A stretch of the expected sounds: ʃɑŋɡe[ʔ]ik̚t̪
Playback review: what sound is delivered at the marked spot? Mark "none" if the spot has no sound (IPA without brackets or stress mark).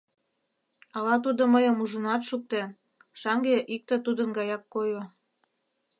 ʔ